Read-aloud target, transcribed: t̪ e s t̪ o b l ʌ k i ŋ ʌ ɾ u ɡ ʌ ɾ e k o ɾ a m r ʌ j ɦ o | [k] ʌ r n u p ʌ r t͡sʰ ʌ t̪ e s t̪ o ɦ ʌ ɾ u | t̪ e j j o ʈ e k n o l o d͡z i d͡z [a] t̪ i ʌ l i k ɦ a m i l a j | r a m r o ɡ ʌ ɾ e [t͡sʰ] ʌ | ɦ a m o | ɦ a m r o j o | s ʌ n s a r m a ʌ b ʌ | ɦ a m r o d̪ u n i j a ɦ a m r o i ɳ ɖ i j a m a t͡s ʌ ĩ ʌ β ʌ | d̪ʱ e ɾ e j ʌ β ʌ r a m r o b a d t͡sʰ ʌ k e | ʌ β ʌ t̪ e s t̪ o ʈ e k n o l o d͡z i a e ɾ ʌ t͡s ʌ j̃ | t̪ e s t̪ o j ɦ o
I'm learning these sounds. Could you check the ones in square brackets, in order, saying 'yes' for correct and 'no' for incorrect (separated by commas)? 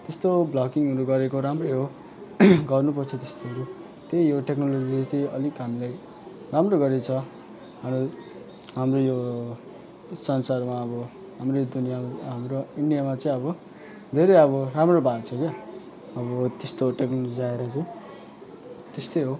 no, no, yes